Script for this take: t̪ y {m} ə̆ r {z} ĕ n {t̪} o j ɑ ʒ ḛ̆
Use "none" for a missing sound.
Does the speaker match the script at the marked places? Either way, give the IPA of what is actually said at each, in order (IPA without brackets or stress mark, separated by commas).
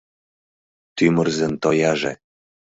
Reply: m, z, t̪